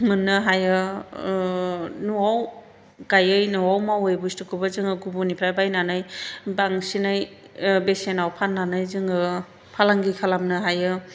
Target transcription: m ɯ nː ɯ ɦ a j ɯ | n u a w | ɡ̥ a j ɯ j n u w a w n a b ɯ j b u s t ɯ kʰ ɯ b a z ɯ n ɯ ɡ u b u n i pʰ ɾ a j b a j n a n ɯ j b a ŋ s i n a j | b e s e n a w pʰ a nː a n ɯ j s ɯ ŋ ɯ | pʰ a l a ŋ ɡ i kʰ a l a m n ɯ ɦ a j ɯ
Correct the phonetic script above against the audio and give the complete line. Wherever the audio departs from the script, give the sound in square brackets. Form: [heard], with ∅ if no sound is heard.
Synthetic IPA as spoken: m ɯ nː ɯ ɦ a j ɯ | n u a w | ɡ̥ a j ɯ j n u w a w [m] a [w] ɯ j b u s t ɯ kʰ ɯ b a z ɯ [ŋ] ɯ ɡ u b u n i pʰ ɾ a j b a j n a n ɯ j b a ŋ s i n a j | b e s e n a w pʰ a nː a n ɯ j [z] ɯ ŋ ɯ | pʰ a l a ŋ ɡ i kʰ a l a m n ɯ ɦ a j ɯ